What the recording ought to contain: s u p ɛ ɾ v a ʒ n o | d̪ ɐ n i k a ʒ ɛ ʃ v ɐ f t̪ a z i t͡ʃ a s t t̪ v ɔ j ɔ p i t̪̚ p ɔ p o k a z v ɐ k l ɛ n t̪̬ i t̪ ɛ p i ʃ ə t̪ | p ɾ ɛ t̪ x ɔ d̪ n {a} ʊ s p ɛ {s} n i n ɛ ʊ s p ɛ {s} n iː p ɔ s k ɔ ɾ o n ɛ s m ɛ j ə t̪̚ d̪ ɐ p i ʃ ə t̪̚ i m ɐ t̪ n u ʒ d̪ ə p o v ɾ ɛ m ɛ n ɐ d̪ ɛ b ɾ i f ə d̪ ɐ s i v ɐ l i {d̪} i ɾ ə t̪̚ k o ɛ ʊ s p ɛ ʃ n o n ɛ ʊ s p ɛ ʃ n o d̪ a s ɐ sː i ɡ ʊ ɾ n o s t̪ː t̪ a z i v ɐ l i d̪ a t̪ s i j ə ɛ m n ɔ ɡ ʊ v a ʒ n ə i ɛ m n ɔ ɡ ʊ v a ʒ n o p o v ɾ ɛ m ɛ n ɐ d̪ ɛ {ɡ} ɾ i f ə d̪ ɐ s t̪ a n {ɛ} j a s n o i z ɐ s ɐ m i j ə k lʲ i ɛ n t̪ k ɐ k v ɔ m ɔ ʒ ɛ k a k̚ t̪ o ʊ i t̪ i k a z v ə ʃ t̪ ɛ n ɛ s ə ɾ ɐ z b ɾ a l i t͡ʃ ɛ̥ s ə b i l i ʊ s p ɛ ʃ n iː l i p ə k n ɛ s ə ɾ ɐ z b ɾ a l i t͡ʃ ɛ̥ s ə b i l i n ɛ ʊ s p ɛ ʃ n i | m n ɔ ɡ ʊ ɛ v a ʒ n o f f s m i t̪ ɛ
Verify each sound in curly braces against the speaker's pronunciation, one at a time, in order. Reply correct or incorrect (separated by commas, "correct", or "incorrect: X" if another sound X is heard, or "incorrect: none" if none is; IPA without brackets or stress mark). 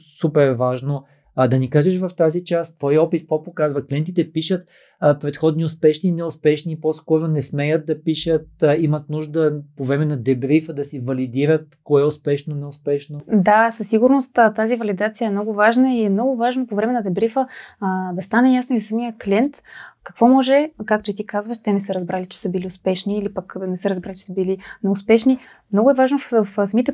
incorrect: i, incorrect: ʃ, incorrect: ʃ, correct, incorrect: b, correct